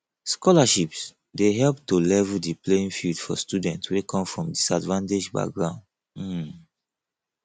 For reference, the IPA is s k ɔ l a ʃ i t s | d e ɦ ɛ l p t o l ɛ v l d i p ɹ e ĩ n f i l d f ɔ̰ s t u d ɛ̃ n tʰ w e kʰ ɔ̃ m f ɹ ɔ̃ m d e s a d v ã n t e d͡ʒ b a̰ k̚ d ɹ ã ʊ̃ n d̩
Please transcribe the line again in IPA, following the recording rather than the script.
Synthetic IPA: s k ɔ l a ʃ i p s | d e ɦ ɛ l p t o l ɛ v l d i p l e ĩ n f i l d f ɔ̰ s t u d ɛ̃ n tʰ w e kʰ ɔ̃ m f ɹ ɔ̃ m d i s a d v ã n t e d͡ʒ b a̰ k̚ ɡ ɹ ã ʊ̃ n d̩